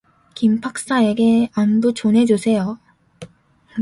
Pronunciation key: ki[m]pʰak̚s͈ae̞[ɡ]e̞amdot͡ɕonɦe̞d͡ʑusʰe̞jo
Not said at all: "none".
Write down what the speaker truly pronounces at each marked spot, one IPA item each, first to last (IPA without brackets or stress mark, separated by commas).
m, ɡ